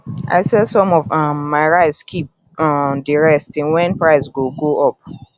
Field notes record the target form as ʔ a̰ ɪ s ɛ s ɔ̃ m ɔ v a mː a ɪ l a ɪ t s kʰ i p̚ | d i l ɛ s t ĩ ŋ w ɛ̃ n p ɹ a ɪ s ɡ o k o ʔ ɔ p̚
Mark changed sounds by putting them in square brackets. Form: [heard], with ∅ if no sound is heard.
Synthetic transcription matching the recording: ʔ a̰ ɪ s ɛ s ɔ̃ m ɔ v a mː a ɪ [ɹ] a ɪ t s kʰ i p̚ | d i [ɹ] ɛ s t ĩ [n] w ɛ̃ n p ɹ a ɪ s ɡ o [ɡ] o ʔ ɔ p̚